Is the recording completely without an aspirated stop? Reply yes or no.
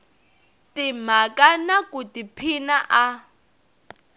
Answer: no